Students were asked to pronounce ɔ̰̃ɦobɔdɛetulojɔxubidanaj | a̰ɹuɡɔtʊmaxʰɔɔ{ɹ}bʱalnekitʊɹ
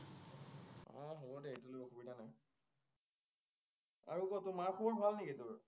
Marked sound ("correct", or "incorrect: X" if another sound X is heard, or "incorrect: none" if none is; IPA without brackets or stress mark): correct